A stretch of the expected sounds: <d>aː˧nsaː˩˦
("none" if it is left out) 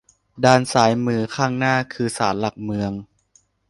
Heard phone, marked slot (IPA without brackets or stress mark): d